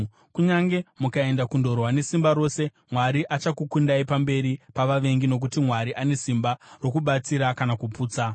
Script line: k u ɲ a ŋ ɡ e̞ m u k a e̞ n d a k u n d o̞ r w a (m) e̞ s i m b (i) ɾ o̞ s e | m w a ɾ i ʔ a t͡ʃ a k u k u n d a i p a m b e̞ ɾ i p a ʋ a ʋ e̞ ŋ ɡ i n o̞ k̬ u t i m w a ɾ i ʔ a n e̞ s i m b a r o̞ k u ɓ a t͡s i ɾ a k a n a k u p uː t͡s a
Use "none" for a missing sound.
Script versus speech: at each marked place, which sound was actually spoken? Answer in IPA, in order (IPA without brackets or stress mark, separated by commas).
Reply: n, a